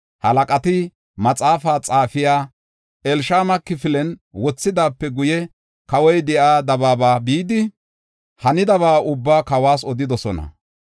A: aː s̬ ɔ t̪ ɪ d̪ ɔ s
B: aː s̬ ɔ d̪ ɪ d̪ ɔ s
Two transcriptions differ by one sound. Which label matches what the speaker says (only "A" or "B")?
B